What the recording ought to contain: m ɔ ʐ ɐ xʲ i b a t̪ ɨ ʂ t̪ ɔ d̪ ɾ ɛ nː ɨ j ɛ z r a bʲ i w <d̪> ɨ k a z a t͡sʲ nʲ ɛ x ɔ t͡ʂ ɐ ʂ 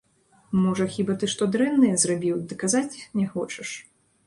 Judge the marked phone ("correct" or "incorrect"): correct